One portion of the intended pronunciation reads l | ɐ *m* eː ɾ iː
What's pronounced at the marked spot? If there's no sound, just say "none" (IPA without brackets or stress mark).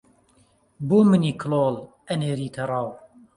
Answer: n